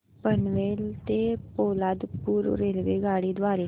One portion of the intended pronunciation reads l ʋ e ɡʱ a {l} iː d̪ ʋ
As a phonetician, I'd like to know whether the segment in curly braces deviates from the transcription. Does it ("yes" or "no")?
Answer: yes